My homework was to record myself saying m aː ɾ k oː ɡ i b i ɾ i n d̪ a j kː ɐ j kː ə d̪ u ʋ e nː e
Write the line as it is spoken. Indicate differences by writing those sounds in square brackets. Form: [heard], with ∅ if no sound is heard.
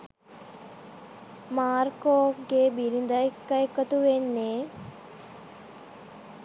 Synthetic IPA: m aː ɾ k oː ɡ [e] b i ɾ i n d̪ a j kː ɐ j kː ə [t̪] u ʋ e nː e